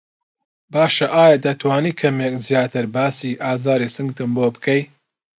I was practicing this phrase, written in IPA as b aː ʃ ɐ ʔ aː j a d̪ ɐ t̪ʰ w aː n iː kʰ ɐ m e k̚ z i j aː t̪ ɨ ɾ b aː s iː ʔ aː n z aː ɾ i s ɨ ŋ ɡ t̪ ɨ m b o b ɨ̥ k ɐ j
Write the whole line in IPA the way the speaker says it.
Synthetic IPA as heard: b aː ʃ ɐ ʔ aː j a d̪ ɐ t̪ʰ w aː n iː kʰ ɐ m e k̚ z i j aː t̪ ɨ ɾ b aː s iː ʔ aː z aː ɾ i s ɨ ŋ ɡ t̪ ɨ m b o b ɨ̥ k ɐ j